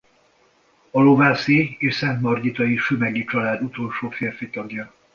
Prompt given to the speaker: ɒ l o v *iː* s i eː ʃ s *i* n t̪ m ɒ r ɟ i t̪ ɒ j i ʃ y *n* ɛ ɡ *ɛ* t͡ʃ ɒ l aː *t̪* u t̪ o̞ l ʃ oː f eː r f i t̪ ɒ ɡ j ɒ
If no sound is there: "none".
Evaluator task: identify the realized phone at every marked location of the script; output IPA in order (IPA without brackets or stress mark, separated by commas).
aː, ɛ, m, i, d̪